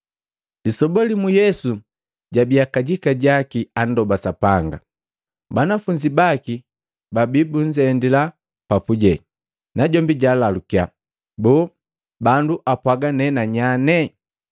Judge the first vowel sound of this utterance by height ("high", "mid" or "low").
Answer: high